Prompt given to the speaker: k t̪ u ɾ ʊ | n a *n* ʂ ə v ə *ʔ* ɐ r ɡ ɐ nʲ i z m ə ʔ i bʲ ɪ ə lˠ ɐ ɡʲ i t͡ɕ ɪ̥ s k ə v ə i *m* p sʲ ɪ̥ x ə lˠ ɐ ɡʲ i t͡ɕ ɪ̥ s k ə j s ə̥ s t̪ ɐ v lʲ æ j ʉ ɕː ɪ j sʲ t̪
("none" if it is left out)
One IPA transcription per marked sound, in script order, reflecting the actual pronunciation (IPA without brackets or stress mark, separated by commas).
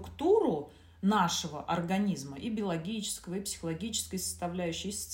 none, ʔ, none